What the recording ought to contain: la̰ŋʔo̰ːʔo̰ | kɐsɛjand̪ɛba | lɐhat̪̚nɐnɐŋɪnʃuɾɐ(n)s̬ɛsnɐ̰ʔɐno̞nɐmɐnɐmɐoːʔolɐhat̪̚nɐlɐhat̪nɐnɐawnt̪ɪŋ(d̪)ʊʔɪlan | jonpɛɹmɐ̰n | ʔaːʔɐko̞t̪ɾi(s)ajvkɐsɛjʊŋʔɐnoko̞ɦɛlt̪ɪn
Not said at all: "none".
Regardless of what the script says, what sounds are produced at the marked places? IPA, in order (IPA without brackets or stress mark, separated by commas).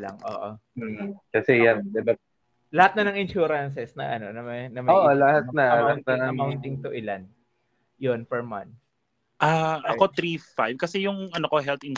n, t̪, f